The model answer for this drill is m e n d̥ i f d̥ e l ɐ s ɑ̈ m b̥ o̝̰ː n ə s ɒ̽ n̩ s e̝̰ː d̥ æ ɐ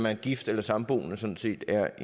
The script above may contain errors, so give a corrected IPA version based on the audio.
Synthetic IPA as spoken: m æ n ɡ̥ i f d̥ e l ɐ s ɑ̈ m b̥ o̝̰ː n ə s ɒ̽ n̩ s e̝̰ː d̥ æ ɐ